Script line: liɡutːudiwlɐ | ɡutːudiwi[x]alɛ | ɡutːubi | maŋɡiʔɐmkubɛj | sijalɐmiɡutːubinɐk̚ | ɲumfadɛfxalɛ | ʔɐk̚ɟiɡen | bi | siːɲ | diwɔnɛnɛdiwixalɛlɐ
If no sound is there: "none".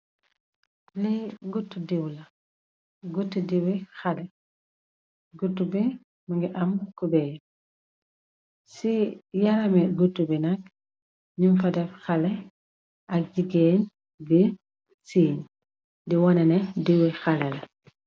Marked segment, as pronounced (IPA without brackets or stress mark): x